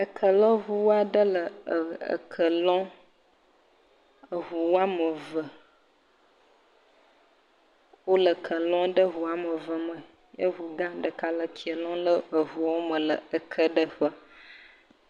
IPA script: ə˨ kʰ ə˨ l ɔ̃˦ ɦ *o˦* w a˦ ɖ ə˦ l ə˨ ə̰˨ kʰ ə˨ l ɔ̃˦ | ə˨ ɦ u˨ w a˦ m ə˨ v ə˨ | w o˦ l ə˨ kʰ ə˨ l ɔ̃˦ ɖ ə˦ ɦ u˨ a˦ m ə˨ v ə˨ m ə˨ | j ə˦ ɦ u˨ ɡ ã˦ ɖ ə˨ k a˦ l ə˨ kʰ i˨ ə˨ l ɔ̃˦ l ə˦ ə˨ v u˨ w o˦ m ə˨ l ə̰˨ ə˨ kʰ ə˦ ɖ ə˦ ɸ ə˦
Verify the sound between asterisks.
incorrect: u˦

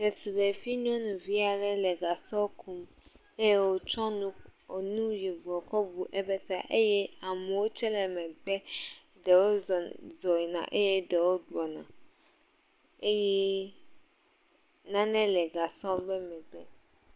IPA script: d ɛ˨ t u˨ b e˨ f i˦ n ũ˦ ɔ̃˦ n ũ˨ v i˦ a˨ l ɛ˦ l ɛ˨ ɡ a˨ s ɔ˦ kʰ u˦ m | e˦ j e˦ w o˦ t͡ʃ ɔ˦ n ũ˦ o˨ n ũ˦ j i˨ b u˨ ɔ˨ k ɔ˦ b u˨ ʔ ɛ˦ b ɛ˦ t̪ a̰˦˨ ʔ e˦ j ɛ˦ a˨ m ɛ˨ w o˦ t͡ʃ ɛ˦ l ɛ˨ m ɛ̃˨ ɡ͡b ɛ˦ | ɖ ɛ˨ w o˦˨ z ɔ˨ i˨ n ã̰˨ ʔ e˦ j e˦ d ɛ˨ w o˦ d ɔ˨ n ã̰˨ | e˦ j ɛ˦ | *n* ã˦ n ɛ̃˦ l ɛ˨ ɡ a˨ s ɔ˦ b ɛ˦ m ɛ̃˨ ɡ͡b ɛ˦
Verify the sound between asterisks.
correct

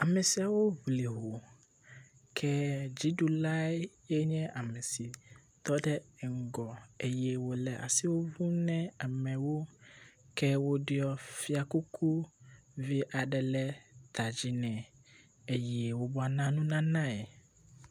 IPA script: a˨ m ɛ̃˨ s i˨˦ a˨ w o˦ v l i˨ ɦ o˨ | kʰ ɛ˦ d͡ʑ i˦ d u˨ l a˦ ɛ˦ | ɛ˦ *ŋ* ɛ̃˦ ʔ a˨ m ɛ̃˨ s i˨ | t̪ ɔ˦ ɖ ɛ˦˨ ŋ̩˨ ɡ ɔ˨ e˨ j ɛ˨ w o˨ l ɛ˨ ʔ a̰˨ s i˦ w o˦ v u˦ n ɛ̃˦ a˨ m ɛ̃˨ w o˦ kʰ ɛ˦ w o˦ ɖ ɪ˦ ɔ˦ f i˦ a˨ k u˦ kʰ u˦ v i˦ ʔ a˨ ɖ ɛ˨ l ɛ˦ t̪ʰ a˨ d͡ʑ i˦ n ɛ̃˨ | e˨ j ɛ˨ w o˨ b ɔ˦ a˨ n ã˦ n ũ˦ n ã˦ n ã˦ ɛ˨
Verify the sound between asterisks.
incorrect: ɲ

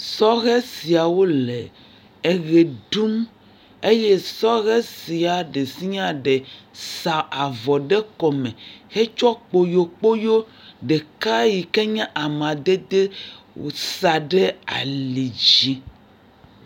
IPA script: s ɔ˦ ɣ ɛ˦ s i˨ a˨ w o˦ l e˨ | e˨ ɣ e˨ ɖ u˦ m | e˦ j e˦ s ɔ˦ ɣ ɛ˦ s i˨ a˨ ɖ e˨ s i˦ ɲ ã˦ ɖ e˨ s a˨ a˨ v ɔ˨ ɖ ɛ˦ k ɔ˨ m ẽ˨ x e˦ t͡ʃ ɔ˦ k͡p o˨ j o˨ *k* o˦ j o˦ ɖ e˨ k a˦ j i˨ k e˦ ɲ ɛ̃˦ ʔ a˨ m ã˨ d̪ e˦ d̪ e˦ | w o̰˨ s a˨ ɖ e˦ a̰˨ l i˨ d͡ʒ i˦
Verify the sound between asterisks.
incorrect: k͡p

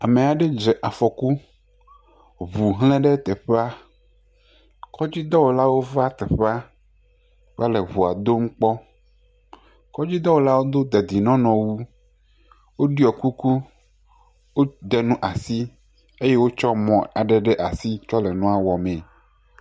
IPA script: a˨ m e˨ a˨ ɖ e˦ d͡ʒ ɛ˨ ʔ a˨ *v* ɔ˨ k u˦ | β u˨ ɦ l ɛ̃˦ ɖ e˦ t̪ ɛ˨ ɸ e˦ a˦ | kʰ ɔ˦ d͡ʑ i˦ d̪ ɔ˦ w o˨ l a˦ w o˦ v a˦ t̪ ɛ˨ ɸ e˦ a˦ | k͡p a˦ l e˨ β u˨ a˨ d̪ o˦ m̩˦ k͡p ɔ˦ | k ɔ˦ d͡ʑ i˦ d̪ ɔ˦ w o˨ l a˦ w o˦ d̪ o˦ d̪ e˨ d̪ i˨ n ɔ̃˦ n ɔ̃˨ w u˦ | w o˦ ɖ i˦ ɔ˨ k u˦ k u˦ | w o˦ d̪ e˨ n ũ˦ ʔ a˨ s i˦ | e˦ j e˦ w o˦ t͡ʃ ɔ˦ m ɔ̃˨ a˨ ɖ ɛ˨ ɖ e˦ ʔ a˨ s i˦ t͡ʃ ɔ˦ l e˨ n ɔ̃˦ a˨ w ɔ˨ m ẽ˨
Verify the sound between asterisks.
incorrect: f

